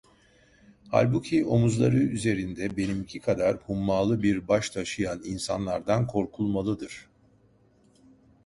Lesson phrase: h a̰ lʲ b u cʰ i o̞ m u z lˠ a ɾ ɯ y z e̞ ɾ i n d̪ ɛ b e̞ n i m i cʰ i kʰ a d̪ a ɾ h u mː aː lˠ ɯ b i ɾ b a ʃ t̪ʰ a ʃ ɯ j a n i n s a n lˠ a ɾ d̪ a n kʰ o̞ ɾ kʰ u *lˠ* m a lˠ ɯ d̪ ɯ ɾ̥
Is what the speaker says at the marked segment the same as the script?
yes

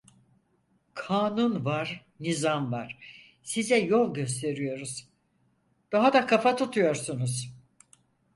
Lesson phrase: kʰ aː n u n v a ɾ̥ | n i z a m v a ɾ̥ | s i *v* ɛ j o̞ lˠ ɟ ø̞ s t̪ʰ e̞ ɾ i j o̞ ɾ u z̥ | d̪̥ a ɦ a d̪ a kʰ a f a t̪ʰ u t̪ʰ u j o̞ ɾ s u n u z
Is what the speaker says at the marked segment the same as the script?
no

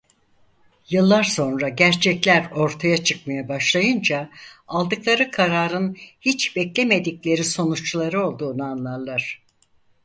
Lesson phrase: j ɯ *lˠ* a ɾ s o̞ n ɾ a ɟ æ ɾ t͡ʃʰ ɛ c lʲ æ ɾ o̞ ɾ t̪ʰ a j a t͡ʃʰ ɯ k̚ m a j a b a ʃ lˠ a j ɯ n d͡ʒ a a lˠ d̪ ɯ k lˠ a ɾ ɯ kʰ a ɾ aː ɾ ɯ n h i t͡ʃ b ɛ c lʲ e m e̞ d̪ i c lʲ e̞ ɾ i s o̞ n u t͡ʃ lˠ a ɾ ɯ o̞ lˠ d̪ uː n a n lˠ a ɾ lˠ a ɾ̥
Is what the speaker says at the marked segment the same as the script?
no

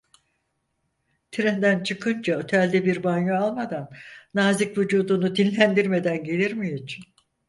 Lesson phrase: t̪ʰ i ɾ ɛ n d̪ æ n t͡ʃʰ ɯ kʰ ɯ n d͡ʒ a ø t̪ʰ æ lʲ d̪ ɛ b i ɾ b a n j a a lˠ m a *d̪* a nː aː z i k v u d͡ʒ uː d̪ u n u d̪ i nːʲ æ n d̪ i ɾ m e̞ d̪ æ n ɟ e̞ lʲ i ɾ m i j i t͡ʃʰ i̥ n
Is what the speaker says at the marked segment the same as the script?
yes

